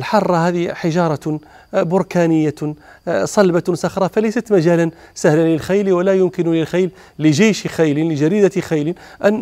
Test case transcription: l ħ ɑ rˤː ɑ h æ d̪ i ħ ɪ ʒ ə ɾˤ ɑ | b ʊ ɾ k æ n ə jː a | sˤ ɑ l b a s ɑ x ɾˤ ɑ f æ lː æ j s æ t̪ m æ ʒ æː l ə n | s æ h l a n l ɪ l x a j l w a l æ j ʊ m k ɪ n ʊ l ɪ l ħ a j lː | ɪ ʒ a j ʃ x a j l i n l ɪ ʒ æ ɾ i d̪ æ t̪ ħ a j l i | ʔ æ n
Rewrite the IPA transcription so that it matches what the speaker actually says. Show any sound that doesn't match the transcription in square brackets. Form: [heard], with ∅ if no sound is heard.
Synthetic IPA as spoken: l ħ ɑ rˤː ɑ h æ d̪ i ħ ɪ ʒ [ɑ] ɾˤ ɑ | b ʊ ɾ k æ n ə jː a | sˤ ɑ l b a s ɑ x ɾˤ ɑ f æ [l] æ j s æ t̪ m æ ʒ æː l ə n | s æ h l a n l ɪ l x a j l w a l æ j ʊ m k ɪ n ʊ l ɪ l [x] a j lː | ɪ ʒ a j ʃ x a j l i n l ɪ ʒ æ ɾ i d̪ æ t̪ [x] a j l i | ʔ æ n